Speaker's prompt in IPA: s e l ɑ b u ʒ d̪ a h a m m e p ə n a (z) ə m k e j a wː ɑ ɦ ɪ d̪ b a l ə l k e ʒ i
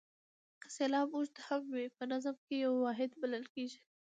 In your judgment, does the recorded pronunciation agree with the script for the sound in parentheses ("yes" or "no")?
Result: yes